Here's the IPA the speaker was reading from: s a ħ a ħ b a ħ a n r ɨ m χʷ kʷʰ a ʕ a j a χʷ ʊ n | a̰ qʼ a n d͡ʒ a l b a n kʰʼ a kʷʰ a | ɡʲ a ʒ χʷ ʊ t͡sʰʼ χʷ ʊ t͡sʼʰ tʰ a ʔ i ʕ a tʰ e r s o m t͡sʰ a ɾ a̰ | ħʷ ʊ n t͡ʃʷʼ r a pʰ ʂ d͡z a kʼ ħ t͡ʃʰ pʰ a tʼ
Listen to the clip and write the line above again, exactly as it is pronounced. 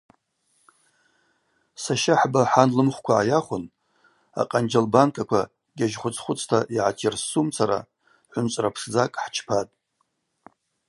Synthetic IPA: s a ʃ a ħ b a ħ a n l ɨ m χʷ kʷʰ a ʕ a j a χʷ ʊ n | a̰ qʼ a n d͡ʒ a l b a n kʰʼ a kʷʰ a | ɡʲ a ʒ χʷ ʊ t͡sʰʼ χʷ ʊ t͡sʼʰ tʰ a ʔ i ʕ a tʰ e r s u m t͡sʰ a ɾ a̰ | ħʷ ʊ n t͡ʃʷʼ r a pʰ ʂ d͡z a kʼ ħ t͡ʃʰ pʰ a tʼ